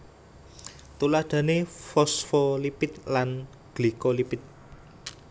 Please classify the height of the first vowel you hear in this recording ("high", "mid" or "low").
high